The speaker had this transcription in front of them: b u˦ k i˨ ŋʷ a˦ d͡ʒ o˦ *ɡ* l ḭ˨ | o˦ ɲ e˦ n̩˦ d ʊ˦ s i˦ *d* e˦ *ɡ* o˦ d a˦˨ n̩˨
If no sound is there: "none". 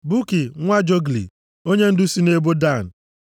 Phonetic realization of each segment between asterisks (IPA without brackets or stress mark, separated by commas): ɡ, n, b